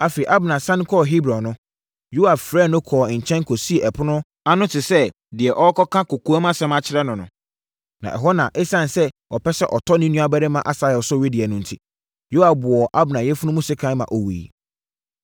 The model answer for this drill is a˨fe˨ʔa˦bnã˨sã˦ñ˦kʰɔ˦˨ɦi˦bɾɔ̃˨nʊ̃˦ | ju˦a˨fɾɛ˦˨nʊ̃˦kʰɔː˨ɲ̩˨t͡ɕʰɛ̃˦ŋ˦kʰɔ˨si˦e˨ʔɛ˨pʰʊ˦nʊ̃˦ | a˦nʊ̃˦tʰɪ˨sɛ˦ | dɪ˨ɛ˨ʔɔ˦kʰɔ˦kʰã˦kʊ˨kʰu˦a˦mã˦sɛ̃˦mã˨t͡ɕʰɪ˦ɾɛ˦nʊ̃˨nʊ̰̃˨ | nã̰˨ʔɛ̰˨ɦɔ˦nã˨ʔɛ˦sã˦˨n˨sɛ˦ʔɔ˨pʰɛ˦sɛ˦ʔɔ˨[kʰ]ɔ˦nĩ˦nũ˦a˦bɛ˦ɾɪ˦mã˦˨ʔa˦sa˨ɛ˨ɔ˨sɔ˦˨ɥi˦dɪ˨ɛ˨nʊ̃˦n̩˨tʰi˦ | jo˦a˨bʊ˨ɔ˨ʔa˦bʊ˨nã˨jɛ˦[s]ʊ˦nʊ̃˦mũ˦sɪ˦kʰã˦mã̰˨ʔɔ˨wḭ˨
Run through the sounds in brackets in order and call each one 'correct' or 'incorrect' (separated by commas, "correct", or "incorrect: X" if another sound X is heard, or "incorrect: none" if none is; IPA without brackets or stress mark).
incorrect: tʰ, incorrect: f